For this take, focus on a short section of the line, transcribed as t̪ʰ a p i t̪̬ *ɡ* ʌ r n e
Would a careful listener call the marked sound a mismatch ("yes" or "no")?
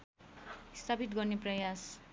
no